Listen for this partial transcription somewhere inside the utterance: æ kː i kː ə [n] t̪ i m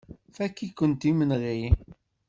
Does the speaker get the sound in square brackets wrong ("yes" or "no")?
no